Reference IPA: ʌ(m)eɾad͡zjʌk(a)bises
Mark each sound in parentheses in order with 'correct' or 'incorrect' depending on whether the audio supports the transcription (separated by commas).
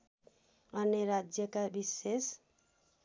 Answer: incorrect, correct